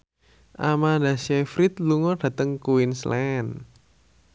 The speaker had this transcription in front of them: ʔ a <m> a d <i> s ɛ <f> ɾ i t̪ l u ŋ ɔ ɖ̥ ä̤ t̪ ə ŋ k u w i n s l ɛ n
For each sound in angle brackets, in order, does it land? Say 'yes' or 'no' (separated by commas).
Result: yes, no, yes